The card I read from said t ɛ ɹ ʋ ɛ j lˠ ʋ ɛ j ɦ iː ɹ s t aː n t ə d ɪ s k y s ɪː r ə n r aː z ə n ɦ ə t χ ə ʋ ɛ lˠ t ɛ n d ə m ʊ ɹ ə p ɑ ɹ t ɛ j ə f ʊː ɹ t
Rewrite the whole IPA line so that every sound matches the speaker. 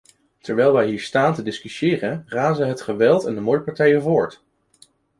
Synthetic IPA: t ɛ ɹ ʋ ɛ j lˠ ʋ ɛ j ɦ iː ɹ s t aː n t ə d ɪ s k y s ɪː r ə n r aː z ə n ɦ ə t χ ə ʋ ɛ lˠ t ɛ n d ə m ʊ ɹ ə p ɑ ɹ t ɛ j ə v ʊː ɹ t